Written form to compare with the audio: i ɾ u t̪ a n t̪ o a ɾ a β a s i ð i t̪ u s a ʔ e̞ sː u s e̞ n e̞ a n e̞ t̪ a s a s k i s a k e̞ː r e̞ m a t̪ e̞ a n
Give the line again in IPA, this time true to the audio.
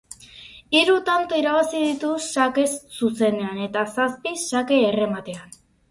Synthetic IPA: i ɾ u t̪ a n t̪ o i ɾ a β a s i ð i t̪ u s a k e̞ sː u s e̞ n e̞ a n e̞ t̪ a s a s p i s a k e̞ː r e̞ m a t̪ e̞ a n